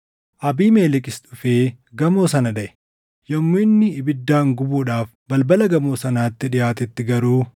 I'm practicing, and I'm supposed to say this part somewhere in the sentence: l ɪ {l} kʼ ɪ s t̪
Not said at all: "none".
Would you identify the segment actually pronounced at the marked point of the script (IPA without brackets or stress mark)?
none